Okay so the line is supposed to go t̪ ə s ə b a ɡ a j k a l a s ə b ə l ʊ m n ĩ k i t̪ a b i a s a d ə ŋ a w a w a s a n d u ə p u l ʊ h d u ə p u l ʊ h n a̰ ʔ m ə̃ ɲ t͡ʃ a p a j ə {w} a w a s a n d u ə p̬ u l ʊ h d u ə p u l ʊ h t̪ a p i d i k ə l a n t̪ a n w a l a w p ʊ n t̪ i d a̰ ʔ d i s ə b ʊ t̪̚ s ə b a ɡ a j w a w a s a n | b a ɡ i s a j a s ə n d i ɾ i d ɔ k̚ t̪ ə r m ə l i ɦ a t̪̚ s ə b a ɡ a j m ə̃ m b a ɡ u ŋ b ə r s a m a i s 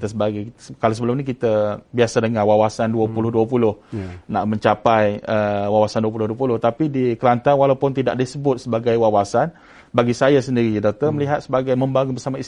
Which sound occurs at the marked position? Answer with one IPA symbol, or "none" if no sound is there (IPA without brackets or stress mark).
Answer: w